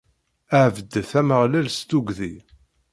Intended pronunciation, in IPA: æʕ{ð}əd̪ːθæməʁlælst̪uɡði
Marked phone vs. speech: incorrect: v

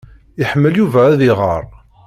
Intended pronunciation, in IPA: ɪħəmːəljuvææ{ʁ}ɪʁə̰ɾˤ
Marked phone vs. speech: incorrect: ð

